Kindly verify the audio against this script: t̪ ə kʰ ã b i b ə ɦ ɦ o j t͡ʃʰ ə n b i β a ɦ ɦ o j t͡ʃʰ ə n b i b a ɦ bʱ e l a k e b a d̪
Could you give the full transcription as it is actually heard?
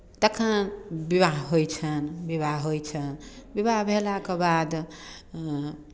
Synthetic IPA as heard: t̪ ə kʰ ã b i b a ɦ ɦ o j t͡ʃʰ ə n b i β a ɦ ɦ o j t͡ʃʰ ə n b i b a ɦ bʱ e l a k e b a d̪